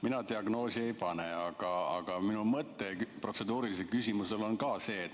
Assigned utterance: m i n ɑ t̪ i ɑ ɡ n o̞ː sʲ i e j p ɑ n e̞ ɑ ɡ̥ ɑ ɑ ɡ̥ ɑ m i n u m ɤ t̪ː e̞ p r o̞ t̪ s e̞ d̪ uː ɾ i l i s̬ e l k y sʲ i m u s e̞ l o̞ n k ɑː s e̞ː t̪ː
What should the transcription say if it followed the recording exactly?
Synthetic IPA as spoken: m i n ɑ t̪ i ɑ ɡ n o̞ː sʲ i e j p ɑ n e̞ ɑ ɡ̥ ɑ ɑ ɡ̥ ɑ m i n u m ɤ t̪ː e̞ p r o̞ t̪ s e̞ d̪ uː ɾ i l i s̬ e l k y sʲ i m u s e̞ l o̞ n k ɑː s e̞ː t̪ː